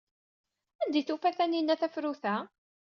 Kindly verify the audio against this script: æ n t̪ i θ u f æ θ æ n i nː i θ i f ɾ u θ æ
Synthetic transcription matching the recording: æ n d̪ i θ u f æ θ æ n i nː æ θ æ f ɾ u θ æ